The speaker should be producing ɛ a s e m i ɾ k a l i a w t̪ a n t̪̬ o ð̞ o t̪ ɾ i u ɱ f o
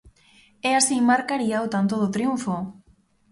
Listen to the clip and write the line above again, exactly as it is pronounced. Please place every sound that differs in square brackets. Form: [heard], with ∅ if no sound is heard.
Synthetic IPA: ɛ a s [i] m [a] ɾ k a [ɾ] i a w t̪ a n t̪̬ o ð̞ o t̪ ɾ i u ɱ f o